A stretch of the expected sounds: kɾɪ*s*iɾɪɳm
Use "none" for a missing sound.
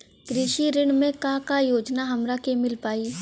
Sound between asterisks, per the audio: ʃ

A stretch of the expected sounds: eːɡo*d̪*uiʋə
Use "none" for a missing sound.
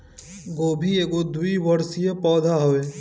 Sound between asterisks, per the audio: d̪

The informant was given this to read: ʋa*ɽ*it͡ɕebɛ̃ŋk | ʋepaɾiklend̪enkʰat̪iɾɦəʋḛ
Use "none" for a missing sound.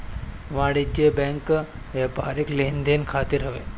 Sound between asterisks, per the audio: ɽ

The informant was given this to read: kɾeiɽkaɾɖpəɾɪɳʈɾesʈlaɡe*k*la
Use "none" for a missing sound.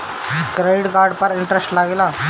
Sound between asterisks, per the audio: none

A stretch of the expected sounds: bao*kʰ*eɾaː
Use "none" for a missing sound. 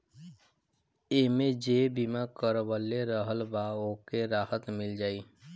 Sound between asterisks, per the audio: k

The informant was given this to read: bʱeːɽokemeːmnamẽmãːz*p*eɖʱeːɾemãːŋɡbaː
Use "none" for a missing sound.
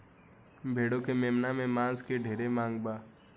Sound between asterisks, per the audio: k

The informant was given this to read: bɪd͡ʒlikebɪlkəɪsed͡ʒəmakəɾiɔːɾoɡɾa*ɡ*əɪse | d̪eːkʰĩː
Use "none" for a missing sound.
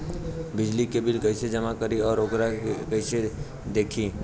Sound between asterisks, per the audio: k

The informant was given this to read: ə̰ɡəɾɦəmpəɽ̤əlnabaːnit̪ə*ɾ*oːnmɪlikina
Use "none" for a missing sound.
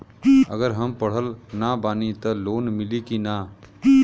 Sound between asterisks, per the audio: l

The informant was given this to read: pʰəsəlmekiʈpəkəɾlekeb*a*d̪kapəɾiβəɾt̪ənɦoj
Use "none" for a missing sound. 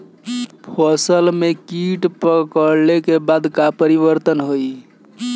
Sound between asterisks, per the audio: a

